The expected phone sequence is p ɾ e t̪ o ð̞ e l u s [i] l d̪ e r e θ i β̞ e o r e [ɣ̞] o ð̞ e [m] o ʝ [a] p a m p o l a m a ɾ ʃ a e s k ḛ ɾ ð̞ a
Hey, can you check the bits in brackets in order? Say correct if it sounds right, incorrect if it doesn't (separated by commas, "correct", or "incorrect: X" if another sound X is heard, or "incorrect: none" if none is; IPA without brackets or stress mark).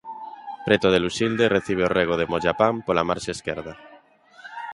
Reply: correct, correct, correct, correct